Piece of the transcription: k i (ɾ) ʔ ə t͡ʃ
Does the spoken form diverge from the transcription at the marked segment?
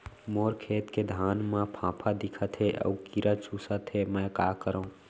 no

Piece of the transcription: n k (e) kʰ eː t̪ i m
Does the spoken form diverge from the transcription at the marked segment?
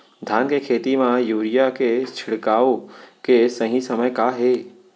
no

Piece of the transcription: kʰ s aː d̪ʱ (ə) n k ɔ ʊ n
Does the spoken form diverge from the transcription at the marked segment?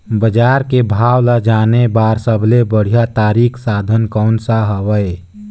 no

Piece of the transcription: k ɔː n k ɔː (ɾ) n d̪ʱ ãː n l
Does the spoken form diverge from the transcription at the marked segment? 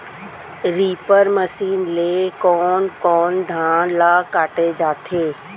yes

